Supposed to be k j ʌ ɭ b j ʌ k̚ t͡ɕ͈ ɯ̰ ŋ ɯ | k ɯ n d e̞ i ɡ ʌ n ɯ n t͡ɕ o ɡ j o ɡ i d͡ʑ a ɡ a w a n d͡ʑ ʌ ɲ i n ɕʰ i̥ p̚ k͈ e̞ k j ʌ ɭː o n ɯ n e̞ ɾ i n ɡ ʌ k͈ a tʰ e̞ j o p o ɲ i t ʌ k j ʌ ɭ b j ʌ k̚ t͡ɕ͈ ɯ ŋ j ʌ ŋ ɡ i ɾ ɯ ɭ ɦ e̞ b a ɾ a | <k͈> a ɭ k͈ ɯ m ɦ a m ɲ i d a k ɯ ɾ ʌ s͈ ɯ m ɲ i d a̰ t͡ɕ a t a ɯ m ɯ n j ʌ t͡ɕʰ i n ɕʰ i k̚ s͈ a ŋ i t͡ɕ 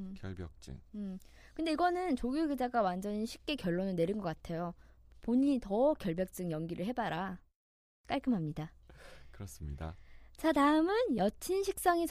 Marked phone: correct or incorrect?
correct